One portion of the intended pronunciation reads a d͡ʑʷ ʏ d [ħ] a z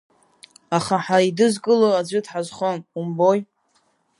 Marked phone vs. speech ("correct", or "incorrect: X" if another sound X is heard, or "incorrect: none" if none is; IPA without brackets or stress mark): correct